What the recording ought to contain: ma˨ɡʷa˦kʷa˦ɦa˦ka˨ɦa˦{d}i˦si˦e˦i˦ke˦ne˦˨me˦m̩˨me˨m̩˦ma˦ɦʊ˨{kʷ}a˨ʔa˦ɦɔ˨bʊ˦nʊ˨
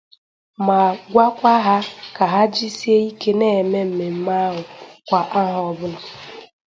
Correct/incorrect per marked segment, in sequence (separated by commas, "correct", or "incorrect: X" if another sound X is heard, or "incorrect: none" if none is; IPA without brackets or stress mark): incorrect: d͡ʒ, correct